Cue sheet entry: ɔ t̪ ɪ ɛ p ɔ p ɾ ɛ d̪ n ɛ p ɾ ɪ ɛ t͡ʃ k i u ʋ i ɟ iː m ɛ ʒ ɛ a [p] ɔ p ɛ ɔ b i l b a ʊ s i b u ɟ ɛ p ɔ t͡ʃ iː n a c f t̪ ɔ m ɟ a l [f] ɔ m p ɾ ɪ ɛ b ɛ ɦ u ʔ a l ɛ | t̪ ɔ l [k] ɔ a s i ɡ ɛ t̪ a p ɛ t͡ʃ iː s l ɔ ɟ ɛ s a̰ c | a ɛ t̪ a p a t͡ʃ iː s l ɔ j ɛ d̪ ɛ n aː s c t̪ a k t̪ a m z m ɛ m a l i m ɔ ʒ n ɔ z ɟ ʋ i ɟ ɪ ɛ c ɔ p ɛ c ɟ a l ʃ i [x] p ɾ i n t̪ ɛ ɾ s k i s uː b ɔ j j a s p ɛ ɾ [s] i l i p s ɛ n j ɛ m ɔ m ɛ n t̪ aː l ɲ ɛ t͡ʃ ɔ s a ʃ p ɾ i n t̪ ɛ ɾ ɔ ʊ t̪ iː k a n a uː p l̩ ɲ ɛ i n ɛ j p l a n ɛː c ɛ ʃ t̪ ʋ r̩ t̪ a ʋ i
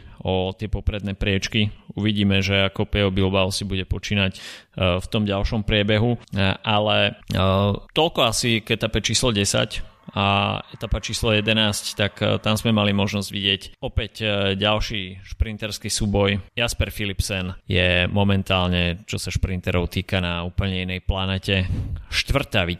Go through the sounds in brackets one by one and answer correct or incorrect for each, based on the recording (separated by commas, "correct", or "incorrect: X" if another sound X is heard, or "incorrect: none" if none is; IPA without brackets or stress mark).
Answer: incorrect: k, incorrect: ʃ, correct, incorrect: ʃ, incorrect: f